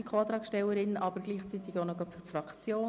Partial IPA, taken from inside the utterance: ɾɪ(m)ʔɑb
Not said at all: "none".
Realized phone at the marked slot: n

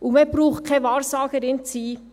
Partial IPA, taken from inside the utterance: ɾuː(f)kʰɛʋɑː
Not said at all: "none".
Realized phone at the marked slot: χ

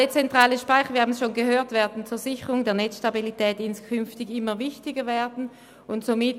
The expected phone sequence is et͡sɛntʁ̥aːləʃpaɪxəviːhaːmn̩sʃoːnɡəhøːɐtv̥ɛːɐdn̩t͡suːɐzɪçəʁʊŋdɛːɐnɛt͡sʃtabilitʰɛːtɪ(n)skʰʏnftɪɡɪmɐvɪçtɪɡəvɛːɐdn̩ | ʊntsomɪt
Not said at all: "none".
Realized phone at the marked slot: n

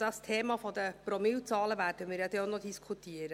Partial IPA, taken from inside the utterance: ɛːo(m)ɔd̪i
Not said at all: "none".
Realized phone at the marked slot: n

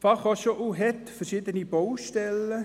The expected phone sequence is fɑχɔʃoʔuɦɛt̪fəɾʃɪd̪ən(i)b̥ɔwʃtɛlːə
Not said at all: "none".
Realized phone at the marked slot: i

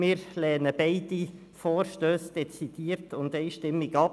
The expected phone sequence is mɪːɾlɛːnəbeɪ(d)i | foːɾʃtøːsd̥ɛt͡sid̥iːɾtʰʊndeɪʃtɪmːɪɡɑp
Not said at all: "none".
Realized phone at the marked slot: d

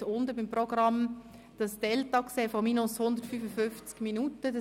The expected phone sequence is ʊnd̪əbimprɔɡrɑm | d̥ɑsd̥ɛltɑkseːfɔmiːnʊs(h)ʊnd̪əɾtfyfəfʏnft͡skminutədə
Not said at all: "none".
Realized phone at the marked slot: h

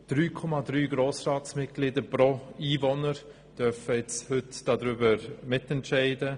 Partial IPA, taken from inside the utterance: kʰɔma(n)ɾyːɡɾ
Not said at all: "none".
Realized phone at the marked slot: d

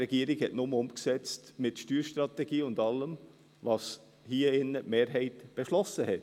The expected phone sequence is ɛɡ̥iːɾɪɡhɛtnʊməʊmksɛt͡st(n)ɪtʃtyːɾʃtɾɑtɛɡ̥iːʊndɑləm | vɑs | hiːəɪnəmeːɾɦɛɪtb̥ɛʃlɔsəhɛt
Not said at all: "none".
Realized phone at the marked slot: m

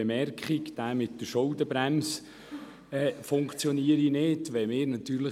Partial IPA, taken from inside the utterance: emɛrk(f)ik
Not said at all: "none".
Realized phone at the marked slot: χ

